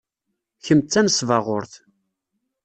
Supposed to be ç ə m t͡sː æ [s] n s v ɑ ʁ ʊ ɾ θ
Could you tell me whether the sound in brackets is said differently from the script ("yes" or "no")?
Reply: yes